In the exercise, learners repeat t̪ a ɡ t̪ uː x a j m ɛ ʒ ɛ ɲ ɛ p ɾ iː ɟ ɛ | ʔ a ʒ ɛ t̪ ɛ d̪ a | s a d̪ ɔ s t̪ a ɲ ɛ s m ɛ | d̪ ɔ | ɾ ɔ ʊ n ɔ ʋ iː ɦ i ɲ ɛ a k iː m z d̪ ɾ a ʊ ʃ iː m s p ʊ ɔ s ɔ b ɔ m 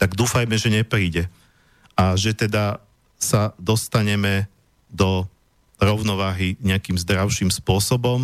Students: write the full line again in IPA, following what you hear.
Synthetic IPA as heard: t̪ a ɡ d̪ uː f a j m ɛ ʒ ɛ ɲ ɛ p ɾ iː ɟ ɛ | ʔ a ʒ ɛ t̪ ɛ d̪ a | s a d̪ ɔ s t̪ a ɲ ɛ m ɛ | d̪ ɔ | ɾ ɔ ʊ n ɔ ʋ aː ɦ i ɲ ɛ a k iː m z d̪ ɾ a ʊ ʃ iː m s p ʊ ɔ s ɔ b ɔ m